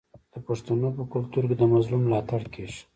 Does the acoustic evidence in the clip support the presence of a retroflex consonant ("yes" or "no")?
yes